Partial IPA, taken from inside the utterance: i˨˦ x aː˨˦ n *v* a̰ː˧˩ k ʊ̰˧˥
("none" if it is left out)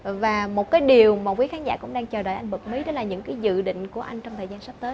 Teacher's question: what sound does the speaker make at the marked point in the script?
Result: z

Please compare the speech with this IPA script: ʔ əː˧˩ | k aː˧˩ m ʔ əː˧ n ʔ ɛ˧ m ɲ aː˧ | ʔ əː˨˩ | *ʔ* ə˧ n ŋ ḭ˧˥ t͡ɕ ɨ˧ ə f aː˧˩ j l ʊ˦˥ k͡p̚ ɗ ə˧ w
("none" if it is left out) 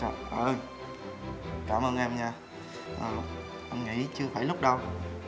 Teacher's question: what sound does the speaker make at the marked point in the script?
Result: ʔ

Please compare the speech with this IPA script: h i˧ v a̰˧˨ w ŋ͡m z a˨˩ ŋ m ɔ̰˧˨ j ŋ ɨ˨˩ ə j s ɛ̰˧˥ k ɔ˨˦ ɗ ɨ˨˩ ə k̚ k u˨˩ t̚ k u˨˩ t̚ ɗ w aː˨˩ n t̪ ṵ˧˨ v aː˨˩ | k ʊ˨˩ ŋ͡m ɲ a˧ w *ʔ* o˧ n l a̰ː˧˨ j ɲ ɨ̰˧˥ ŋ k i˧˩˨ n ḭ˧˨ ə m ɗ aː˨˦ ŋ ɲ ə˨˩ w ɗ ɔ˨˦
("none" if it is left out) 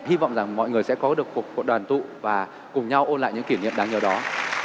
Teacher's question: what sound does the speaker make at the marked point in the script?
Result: ʔ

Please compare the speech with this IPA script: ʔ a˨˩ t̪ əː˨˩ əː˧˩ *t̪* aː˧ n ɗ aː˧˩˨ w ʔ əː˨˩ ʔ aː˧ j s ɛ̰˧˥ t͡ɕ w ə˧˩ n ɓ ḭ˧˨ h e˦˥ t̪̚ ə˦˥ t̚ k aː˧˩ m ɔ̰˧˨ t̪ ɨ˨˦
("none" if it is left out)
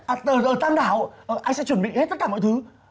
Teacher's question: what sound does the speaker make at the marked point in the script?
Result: t̪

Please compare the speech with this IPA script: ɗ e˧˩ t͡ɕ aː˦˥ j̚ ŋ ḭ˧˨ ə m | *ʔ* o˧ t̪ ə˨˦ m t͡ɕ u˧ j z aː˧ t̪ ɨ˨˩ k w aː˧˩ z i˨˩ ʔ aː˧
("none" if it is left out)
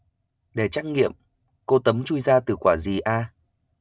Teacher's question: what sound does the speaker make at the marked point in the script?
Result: k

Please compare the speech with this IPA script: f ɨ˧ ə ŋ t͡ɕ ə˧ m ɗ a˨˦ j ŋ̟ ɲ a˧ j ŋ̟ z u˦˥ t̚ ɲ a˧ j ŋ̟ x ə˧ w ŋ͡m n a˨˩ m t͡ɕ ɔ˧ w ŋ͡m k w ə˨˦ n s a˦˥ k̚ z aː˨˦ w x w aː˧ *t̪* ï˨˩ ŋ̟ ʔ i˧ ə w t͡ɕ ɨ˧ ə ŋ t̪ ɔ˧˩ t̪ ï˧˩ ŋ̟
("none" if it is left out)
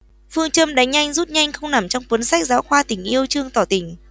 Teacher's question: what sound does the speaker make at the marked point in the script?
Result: t̪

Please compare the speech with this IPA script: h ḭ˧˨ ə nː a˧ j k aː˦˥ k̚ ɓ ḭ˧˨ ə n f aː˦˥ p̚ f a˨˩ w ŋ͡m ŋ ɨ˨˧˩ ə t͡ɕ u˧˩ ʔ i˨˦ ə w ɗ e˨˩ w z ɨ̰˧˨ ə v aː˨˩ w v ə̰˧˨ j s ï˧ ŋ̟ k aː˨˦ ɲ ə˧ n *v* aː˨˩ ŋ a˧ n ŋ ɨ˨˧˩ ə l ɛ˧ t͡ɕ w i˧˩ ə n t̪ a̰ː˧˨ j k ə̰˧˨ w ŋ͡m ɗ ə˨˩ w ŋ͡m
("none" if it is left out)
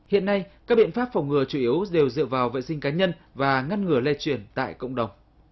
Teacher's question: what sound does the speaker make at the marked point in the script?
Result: v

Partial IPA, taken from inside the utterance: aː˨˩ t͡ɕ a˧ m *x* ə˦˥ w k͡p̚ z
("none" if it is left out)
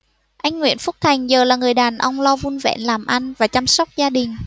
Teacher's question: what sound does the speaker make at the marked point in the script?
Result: s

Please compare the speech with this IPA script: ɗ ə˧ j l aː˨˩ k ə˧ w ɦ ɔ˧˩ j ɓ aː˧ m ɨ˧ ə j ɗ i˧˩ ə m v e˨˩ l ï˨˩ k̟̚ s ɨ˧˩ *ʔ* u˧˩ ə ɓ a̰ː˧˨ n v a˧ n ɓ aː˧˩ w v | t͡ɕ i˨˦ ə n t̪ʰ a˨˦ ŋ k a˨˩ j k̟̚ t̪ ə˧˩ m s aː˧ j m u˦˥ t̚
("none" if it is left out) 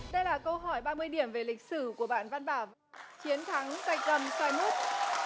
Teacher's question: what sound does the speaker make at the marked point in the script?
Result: k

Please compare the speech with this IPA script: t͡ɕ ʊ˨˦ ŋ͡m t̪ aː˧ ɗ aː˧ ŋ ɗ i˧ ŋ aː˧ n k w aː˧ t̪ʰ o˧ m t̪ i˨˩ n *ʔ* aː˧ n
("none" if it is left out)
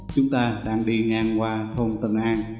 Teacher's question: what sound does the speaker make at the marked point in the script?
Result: ʔ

